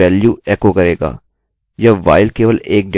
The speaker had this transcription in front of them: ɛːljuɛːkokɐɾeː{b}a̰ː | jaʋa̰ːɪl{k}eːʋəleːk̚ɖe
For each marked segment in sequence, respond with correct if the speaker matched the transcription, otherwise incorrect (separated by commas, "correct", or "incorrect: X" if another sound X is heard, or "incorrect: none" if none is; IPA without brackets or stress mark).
incorrect: ɡ, correct